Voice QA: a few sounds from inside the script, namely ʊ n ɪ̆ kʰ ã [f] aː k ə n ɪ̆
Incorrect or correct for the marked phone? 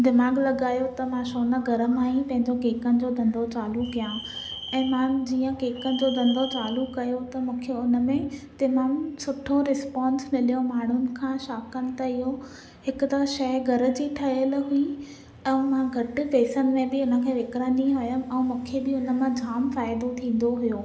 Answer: incorrect: ʃ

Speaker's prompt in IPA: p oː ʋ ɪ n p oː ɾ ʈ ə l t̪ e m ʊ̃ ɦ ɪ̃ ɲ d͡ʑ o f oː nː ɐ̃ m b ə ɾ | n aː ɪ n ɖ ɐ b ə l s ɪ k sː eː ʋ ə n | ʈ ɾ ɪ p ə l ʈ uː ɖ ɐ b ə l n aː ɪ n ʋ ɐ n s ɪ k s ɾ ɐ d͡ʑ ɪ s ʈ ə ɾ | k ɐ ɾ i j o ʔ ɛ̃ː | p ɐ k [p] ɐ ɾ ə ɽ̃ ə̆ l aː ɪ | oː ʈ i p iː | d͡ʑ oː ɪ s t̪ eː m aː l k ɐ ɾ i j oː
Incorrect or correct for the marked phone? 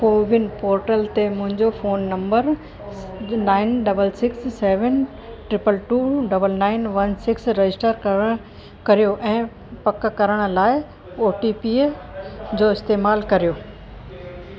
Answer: incorrect: k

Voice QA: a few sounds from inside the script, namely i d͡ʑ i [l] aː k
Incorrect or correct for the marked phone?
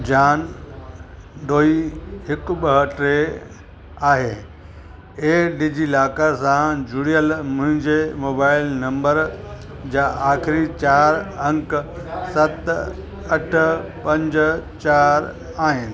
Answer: correct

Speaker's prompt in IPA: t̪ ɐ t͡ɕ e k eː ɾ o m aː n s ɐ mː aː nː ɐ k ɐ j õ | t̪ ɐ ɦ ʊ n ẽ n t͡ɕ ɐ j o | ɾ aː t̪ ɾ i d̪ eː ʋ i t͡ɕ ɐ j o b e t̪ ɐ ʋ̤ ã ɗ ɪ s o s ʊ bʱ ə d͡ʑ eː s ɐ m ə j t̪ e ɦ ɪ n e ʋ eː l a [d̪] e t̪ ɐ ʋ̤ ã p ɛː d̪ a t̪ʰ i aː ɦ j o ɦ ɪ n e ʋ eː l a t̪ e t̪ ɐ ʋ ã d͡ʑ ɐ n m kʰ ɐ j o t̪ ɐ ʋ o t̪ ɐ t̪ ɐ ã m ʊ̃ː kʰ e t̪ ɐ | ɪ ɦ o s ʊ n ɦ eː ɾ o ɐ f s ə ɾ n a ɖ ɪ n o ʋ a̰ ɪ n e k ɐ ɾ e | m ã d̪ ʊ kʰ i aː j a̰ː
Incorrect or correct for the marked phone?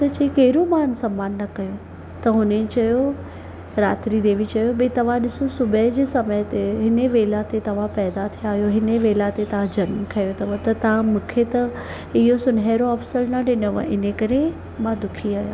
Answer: incorrect: t̪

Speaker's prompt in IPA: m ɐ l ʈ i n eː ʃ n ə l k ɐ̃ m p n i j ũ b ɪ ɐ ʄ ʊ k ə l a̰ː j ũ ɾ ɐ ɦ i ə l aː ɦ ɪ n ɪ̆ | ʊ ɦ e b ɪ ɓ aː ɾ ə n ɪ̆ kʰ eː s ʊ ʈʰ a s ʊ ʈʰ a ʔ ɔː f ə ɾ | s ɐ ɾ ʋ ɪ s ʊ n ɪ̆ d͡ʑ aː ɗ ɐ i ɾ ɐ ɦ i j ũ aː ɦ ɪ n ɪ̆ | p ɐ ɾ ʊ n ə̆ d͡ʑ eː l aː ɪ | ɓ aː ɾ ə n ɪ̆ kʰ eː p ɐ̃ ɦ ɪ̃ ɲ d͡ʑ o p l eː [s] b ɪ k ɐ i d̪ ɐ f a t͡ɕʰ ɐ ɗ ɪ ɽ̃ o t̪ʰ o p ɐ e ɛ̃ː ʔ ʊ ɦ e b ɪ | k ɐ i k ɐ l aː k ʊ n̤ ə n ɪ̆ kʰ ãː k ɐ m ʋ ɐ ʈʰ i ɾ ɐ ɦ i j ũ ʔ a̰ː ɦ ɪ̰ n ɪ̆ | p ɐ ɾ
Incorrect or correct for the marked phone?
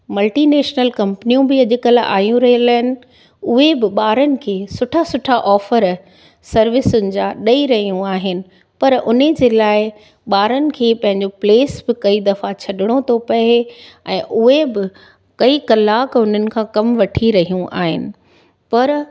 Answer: correct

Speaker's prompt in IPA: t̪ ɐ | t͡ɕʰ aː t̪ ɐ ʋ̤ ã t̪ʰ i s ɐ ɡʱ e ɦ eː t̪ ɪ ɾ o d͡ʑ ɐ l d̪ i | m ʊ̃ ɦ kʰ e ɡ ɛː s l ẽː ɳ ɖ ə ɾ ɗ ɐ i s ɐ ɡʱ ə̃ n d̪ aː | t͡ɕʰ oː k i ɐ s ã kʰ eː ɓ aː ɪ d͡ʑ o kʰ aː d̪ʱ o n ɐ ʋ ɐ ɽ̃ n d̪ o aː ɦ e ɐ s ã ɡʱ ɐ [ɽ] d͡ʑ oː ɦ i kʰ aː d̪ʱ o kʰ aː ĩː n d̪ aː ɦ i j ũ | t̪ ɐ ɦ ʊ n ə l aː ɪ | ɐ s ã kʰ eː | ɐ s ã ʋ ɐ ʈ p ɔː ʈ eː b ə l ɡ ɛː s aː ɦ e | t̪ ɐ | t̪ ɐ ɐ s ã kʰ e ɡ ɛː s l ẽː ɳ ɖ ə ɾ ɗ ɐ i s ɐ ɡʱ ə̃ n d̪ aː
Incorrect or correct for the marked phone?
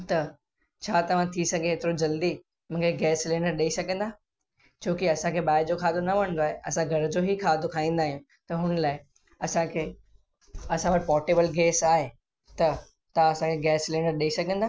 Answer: incorrect: ɾ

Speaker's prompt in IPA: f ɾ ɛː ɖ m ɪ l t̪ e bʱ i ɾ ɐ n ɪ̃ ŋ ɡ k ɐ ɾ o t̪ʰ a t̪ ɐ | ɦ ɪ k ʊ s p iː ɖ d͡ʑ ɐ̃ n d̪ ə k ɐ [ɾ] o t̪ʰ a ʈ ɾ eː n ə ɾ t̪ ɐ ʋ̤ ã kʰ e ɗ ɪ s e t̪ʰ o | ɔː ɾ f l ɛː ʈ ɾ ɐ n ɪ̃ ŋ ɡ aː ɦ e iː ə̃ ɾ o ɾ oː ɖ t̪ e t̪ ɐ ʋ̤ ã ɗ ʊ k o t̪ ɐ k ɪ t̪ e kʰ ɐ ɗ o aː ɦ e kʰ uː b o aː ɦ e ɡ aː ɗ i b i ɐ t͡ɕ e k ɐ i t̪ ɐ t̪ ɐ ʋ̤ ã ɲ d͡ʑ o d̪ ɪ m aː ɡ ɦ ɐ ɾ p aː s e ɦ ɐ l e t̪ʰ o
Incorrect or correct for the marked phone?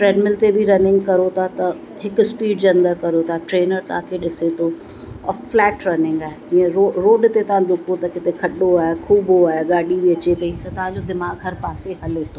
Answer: correct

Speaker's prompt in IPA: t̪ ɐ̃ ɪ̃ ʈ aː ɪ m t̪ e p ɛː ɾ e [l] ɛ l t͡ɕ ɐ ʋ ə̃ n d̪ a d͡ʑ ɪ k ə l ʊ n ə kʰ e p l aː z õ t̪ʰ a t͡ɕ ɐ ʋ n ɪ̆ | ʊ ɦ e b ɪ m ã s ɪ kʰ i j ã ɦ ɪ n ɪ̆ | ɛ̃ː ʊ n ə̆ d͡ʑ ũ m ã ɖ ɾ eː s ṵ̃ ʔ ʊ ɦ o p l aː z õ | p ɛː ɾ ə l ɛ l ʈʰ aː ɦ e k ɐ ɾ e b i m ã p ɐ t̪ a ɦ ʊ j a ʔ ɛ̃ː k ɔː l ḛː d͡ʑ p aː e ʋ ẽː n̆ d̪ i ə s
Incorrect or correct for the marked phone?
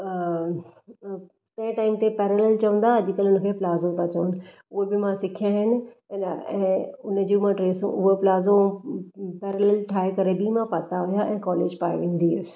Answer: correct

